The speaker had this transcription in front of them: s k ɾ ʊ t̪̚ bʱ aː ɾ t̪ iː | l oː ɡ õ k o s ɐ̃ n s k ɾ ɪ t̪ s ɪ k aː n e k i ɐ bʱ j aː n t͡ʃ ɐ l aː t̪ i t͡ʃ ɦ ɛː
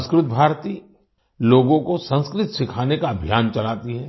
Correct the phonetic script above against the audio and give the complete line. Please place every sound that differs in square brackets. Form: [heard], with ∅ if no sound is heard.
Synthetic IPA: s k ɾ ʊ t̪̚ bʱ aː ɾ t̪ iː | l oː ɡ õ k o s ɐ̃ n s k ɾ ɪ t̪ s ɪ [kʰ] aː n e k [a] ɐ bʱ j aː n t͡ʃ ɐ l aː t̪ i [∅] ɦ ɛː